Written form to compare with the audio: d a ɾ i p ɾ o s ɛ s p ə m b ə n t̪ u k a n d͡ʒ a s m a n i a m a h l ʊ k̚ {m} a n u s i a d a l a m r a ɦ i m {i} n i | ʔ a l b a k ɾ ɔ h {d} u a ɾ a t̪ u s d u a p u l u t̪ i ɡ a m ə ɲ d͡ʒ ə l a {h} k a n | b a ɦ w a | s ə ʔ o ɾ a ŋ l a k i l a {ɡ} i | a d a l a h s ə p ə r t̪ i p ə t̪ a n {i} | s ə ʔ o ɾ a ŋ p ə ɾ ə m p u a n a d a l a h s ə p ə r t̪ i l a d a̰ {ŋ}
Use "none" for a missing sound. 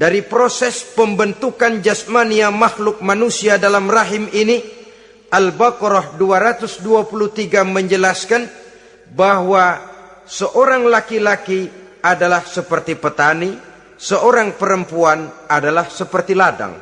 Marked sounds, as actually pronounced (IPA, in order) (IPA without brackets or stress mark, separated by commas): m, i, d, s, k, i, ŋ